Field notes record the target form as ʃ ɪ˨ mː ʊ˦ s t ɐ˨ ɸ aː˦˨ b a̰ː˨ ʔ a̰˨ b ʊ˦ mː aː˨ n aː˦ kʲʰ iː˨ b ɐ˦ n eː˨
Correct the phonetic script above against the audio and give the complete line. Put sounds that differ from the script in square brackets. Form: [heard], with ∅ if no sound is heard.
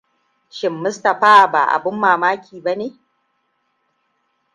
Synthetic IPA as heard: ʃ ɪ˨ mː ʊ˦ s t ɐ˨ ɸ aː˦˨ b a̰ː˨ ʔ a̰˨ b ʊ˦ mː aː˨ [m] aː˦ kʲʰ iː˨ b [a˦] n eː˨